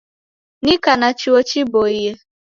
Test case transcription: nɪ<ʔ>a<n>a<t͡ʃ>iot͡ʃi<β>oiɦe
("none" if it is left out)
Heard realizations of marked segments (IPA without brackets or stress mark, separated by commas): k, n, t͡ʃ, b